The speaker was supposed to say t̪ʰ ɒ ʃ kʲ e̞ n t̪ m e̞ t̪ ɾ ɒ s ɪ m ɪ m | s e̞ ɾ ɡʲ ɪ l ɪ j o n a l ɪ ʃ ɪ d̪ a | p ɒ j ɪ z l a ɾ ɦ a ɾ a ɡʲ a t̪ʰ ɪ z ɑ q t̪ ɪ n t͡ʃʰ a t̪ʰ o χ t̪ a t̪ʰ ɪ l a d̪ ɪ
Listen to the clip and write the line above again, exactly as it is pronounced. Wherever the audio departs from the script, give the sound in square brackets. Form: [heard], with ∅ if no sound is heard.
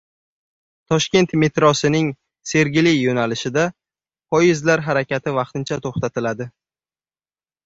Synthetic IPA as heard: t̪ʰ ɒ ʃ kʲ e̞ n t̪ m e̞ t̪ ɾ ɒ s ɪ [n] ɪ [ŋ] | s e̞ ɾ ɡʲ ɪ l ɪ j o n a l ɪ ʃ ɪ d̪ a | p ɒ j ɪ z l a ɾ ɦ a ɾ a [kʲ] a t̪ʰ ɪ [v] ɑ q t̪ ɪ n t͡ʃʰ a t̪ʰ o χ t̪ a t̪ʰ ɪ l a d̪ ɪ